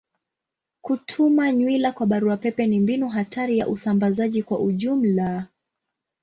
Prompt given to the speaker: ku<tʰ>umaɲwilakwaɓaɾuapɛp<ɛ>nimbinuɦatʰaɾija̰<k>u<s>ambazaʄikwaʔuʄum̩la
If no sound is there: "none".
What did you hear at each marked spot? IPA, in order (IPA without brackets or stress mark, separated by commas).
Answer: tʰ, ɛ, ʔ, s